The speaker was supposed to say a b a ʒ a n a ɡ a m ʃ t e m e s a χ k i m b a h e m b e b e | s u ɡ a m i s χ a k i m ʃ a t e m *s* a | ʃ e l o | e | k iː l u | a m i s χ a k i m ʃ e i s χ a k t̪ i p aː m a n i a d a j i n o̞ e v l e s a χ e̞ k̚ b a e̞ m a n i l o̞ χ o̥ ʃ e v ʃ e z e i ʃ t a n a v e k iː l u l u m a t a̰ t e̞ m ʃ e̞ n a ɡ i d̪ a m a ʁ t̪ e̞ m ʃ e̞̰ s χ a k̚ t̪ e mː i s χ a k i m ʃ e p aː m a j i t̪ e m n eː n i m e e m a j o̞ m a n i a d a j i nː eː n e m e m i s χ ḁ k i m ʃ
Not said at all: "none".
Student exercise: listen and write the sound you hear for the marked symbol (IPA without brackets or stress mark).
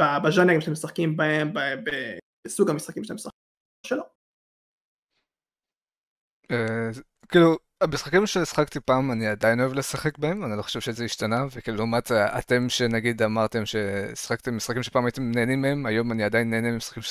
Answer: s